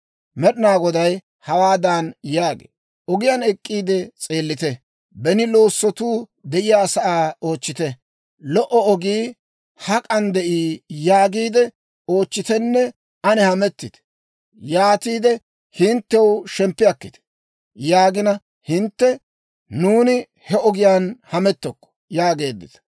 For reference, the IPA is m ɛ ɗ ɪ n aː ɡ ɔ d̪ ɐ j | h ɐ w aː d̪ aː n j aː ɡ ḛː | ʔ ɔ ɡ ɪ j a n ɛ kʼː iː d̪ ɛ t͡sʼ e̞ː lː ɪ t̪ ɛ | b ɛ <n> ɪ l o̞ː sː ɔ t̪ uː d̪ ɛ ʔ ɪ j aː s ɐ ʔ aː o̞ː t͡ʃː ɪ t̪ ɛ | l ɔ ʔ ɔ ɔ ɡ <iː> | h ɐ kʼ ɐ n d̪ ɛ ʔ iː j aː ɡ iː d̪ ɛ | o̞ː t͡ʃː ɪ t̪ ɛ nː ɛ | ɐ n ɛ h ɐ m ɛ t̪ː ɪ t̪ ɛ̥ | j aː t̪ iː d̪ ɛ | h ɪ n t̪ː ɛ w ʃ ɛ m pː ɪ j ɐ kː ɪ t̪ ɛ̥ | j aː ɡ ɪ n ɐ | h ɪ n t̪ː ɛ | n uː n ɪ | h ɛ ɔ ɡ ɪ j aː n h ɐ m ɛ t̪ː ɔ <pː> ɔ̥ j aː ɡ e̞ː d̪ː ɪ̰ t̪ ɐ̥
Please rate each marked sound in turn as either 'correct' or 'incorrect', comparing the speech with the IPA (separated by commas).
correct, correct, incorrect